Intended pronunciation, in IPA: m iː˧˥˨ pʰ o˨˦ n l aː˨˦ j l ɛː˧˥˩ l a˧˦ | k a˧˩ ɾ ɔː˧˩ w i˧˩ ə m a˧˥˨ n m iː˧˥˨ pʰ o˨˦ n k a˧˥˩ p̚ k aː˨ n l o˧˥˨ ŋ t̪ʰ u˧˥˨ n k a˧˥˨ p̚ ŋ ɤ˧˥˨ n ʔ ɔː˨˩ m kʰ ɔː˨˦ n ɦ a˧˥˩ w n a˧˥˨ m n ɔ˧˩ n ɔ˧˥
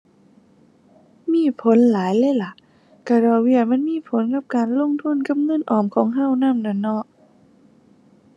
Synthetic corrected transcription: m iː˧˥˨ pʰ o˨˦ n l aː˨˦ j l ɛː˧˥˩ l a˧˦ | k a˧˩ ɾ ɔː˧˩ w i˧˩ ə m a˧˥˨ n m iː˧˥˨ pʰ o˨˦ n k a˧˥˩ p̚ k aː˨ n l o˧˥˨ ŋ t̪ʰ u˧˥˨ n k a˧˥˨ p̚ ŋ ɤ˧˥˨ n ʔ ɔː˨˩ m kʰ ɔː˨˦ ŋ ɦ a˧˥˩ w n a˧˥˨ m n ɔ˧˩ n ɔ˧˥

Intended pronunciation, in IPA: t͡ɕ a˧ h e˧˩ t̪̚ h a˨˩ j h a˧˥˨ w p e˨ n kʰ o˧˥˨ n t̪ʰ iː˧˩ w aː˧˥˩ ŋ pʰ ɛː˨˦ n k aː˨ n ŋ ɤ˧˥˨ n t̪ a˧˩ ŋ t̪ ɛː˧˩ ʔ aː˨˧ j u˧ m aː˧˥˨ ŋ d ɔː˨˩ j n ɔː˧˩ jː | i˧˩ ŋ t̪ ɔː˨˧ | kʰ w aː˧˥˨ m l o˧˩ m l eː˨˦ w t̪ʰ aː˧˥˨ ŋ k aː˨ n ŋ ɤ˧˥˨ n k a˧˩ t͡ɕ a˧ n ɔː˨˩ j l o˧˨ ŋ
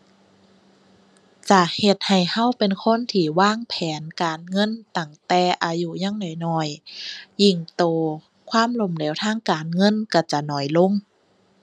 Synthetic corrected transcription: t͡ɕ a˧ h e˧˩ t̪̚ h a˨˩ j h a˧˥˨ w p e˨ n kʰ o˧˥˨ n t̪ʰ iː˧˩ w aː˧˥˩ ŋ pʰ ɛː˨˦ n k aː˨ n ŋ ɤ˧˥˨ n t̪ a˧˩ ŋ t̪ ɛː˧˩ ʔ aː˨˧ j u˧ ɲ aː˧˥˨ ŋ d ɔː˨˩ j n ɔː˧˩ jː | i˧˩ ŋ t̪ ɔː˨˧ | kʰ w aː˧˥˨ m l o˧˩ m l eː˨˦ w t̪ʰ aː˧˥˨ ŋ k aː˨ n ŋ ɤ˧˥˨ n k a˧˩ t͡ɕ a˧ n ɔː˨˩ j l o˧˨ ŋ

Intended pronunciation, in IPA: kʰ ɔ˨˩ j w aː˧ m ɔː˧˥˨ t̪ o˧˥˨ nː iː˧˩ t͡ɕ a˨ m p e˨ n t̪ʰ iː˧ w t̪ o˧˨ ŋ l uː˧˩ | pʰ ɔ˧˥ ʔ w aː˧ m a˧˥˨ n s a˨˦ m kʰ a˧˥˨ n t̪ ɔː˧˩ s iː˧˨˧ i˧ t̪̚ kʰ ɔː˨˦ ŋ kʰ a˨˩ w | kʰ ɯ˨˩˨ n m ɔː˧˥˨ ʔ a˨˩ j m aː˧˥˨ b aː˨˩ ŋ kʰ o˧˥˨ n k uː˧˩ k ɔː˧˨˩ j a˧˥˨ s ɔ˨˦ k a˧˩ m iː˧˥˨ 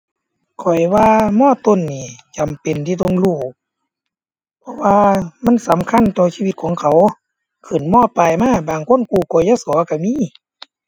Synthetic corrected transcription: kʰ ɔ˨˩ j w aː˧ m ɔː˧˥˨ t̪ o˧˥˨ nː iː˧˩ t͡ɕ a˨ m p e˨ n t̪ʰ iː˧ t̪ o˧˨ ŋ l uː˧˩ | pʰ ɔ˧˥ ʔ w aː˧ m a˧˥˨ n s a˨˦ m kʰ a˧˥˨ n t̪ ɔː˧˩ s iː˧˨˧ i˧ t̪̚ kʰ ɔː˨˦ ŋ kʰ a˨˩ w | kʰ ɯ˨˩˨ n m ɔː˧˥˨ p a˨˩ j m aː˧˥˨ b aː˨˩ ŋ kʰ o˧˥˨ n k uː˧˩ k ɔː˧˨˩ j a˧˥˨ s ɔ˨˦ k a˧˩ m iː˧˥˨

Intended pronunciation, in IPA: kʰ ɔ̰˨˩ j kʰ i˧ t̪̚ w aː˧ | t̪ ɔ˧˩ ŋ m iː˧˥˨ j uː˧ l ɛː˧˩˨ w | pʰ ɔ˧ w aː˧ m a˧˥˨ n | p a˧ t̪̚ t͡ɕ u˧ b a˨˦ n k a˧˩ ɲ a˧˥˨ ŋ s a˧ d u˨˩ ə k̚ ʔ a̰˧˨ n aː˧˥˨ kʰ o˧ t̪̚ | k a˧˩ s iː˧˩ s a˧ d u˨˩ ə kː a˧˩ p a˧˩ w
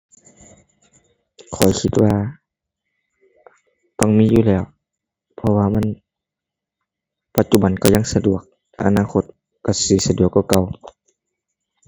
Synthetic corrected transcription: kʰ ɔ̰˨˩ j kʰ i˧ t̪̚ w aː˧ | t̪ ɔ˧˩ ŋ m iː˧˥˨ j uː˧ l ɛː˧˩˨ w | pʰ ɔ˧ w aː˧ m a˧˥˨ n | p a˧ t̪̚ t͡ɕ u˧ b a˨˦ n k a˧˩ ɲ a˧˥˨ ŋ s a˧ d u˨˩ ə k̚ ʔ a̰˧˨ n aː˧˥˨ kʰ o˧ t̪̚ | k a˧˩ s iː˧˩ s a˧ d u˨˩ ə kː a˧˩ k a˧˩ w

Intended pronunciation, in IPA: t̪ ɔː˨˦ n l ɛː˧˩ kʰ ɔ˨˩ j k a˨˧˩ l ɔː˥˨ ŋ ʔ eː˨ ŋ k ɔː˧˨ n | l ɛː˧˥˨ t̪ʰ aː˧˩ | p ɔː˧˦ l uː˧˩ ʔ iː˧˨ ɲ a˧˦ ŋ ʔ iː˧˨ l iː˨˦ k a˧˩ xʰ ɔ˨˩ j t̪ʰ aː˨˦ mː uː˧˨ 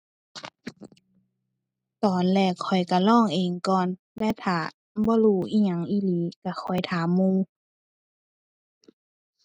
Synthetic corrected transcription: t̪ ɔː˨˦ n l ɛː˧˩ kʰ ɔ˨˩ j k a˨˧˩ l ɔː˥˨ ŋ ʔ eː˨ ŋ k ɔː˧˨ n | l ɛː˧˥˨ t̪ʰ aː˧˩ | b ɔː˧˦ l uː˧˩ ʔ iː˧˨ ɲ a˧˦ ŋ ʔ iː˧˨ l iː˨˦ k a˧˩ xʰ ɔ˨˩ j t̪ʰ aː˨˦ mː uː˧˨

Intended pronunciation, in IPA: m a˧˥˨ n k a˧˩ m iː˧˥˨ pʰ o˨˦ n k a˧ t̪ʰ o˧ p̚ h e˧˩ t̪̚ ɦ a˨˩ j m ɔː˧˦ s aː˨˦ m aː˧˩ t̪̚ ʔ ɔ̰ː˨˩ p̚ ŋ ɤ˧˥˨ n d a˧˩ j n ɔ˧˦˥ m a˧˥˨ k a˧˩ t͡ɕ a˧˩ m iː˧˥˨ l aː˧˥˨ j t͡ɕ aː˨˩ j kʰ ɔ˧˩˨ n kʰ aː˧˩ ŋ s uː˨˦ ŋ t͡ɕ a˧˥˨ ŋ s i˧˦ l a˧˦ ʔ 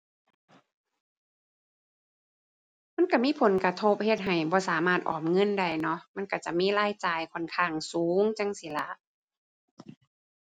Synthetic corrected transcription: m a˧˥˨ n k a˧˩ m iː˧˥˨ pʰ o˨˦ n k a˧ t̪ʰ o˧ p̚ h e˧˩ t̪̚ ɦ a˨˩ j b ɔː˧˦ s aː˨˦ m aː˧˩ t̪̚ ʔ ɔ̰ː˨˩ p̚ ŋ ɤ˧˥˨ n d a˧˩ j n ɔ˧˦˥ m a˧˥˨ k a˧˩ t͡ɕ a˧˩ m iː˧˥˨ l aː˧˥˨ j t͡ɕ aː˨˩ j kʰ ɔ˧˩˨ n kʰ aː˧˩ ŋ s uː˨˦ ŋ t͡ɕ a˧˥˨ ŋ s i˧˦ l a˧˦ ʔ

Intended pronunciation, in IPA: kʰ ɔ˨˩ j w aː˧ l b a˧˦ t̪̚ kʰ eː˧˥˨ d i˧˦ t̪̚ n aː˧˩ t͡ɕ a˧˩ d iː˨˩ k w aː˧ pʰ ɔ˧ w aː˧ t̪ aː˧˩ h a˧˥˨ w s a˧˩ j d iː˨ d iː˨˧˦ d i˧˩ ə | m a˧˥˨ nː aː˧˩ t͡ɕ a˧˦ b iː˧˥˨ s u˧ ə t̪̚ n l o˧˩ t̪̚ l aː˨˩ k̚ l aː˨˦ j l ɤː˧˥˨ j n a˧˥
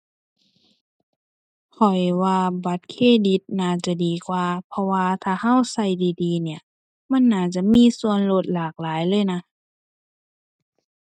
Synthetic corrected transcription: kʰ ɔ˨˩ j w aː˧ b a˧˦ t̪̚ kʰ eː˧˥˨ d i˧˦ t̪̚ n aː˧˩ t͡ɕ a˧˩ d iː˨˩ k w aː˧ pʰ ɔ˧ w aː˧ t̪ʰ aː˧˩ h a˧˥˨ w s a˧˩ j d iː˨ d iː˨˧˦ n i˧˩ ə | m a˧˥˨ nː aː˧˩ t͡ɕ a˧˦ m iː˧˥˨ s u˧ ə n l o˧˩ t̪̚ l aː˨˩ k̚ l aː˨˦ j l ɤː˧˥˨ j n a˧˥

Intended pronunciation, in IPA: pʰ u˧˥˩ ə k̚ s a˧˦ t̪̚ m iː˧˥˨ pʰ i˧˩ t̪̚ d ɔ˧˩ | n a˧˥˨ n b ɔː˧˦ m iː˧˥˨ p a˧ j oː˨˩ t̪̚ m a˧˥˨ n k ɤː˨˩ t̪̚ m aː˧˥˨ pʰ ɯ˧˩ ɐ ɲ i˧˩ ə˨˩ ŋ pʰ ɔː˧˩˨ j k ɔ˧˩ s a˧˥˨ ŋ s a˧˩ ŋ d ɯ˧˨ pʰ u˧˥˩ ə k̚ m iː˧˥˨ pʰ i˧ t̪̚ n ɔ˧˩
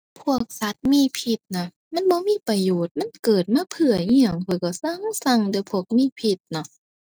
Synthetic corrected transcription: pʰ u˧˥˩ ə k̚ s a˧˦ t̪̚ m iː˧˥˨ pʰ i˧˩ t̪̚ n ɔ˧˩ | m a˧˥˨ n b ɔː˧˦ m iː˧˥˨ p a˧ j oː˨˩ t̪̚ m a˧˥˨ n k ɤː˨˩ t̪̚ m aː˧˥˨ pʰ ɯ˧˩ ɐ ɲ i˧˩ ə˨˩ ŋ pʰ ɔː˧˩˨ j k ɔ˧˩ s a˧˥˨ ŋ s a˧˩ ŋ d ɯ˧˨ pʰ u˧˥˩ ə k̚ m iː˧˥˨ pʰ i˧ t̪̚ n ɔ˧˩

